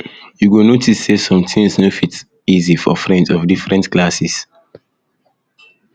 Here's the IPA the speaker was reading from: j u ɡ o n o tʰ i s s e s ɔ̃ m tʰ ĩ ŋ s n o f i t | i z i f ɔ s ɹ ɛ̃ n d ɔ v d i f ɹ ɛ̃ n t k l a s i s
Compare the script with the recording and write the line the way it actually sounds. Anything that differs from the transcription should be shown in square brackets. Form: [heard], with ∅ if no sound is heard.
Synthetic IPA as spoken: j u ɡ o n o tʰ i s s e s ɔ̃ m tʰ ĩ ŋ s n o f i t | i z i f ɔ [f] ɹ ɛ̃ n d ɔ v d i f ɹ ɛ̃ n t k l a s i s

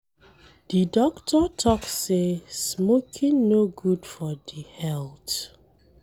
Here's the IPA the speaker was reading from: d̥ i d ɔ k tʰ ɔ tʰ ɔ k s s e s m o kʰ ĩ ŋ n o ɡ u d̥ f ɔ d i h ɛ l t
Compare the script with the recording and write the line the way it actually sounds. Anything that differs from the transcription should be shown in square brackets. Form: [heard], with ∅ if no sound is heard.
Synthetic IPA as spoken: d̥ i d ɔ k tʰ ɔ tʰ ɔ k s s e s m o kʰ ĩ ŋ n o ɡ u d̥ f ɔ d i h ɛ l t

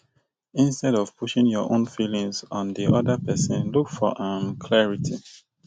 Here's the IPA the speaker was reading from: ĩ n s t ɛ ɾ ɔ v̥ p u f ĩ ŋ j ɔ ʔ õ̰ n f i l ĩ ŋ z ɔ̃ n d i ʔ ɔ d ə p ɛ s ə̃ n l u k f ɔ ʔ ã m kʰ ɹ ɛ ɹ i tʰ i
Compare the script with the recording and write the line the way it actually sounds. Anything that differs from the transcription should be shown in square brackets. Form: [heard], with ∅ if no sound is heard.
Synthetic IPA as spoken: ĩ n s t ɛ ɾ ɔ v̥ p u [ʃ] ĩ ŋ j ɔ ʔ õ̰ n f i l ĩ ŋ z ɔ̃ n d i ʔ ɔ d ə p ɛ s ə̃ n l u k f ɔ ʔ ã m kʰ [l] ɛ ɹ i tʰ i

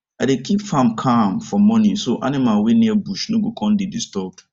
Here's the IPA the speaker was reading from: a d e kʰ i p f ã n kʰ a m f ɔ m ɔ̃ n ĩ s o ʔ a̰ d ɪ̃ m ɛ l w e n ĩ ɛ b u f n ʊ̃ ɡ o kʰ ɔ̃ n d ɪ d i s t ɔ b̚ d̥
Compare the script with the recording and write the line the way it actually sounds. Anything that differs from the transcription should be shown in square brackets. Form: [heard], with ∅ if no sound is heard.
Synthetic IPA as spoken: a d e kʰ i p f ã [m] kʰ a m f ɔ m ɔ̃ n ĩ s o ʔ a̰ [n] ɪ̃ m [a] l w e n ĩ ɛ b u [ʃ] n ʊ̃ ɡ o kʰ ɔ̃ n d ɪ d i s t ɔ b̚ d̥

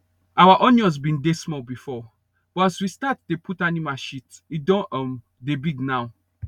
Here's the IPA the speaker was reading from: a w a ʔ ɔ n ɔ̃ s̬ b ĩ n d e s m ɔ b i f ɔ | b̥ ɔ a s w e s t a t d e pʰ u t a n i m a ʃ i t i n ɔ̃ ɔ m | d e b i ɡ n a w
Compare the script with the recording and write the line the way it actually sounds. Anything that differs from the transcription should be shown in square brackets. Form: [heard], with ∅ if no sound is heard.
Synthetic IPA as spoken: a w a ʔ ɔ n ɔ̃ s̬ b ĩ n d e s m ɔ b i f ɔ | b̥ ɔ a s w [i] s t a t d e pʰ u t a n i m a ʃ i t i [d] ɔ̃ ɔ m | d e b i ɡ n a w

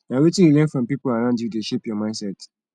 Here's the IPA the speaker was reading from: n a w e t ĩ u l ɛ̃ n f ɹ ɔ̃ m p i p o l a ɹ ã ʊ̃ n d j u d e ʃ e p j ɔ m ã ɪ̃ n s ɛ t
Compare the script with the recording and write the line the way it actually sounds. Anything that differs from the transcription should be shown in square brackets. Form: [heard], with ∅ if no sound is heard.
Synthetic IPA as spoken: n a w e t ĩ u l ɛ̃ n f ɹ ɔ̃ m p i p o l a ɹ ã ʊ̃ n d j u d e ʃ e p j ɔ m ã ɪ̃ n s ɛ t

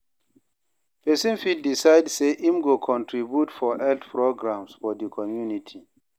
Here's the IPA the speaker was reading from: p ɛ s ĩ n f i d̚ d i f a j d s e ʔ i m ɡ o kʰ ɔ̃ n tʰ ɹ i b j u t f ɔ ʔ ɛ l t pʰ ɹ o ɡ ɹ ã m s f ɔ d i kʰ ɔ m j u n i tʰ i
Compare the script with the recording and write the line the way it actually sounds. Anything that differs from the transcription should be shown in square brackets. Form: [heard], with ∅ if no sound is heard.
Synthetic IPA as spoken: p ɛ s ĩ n f i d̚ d i [s] a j d s e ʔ i m ɡ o kʰ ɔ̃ n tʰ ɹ i b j u t f ɔ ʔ ɛ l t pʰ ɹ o ɡ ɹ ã m s f ɔ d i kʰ ɔ m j u n i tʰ i

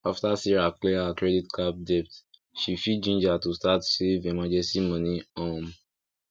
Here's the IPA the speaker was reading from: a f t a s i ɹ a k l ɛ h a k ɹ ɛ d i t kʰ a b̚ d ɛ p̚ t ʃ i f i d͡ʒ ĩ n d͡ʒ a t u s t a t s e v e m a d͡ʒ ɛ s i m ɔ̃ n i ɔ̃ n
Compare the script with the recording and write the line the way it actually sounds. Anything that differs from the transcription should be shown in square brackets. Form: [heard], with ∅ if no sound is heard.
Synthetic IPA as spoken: a f t a s i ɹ a k l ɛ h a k ɹ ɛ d i t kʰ a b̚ d ɛ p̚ t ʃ i f i d͡ʒ ĩ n d͡ʒ a t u s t a t s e v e m a d͡ʒ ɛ s i m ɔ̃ n i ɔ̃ [m]

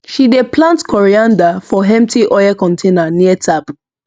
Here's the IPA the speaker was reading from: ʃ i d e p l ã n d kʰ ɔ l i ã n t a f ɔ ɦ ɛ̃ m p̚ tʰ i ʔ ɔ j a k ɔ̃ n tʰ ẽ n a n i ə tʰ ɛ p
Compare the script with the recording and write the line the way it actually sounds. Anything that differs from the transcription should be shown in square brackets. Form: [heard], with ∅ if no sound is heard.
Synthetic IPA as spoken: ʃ i d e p l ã n [t] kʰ ɔ [ɹ] i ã n [d] a f ɔ ɦ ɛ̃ m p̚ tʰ i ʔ ɔ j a k ɔ̃ n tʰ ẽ n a n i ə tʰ [a] p

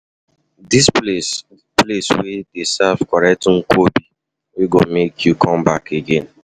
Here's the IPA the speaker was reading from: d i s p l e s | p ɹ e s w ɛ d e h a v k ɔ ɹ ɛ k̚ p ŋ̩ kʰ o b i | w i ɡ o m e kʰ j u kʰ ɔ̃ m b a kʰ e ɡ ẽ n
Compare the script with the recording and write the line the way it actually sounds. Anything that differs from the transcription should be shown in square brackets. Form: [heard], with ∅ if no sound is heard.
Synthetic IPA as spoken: d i s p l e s | p [l] e s w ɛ d e [s] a v k ɔ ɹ ɛ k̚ [t] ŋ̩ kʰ o b i | w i ɡ o m e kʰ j u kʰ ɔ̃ m b a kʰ e ɡ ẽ n

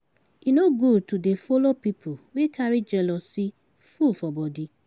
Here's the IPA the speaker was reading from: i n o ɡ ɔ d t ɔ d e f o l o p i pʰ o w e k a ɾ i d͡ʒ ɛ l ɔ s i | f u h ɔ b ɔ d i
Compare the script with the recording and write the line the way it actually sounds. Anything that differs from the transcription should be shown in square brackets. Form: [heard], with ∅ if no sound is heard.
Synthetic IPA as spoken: i n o ɡ [u] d t [u] d e f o l o p i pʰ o w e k a ɾ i d͡ʒ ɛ l ɔ s i | f u [f] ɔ b ɔ d i

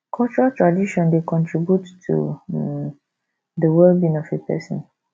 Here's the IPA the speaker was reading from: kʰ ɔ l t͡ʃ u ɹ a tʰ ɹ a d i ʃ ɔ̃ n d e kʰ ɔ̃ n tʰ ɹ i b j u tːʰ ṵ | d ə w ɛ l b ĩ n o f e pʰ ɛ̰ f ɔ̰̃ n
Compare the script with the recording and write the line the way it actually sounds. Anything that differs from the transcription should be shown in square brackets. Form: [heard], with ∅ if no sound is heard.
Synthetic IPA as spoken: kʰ ɔ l t͡ʃ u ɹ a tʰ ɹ a d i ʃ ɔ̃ n d e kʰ ɔ̃ n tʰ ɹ i b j u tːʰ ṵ | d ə w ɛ l b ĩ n [ɔ] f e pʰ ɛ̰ [s] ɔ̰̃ n

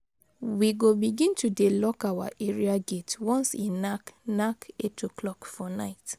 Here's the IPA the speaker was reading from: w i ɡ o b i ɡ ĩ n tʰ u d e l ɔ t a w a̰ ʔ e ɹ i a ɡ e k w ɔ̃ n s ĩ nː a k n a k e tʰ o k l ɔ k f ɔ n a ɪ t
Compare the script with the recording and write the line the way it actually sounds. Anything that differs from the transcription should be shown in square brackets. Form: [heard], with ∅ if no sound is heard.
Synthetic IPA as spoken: w i ɡ o b i ɡ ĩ n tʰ u d e l ɔ [k] a w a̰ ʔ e ɹ i a ɡ e [t] w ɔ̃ n s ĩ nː a k n a k e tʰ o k l ɔ k f ɔ n a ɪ t

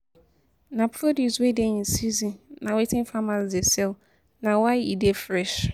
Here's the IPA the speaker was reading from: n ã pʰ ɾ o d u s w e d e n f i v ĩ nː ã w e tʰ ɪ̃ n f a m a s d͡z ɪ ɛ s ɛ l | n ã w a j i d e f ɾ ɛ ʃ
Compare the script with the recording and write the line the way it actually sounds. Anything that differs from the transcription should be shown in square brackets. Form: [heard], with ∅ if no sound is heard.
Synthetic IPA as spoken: n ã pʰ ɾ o d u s w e d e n [s] i [z] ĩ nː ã w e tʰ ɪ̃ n f a m a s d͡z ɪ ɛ s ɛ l | n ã w a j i d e f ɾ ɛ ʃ

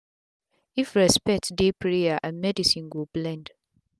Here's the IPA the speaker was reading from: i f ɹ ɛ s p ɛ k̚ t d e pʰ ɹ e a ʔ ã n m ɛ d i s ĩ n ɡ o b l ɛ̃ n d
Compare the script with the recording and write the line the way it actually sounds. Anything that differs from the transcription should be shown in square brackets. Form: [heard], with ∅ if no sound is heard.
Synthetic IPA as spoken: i f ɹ ɛ s p ɛ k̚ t d e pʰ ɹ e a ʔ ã n m ɛ d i s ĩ n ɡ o b l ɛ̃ n d

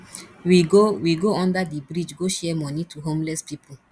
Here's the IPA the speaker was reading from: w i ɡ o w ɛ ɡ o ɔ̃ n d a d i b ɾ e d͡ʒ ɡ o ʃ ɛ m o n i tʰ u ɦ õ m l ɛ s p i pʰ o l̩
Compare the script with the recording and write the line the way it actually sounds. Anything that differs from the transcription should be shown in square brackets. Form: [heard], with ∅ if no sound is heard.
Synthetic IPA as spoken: w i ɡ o w [i] ɡ o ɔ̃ n d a d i b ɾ [i] d͡ʒ ɡ o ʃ ɛ m [ɔ] n i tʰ u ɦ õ m l ɛ s p i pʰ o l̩

